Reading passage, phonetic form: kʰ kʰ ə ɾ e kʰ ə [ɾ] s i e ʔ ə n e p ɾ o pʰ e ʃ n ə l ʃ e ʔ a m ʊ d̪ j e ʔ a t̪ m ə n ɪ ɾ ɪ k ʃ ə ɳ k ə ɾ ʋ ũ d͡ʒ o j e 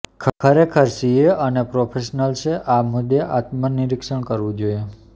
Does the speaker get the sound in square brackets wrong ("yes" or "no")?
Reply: no